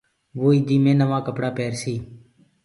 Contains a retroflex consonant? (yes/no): yes